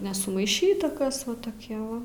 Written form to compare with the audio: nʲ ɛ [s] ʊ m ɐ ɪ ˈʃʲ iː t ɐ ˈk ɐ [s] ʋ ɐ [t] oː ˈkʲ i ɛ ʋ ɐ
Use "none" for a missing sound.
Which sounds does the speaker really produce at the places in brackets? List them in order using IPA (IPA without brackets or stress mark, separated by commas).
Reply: s, s, t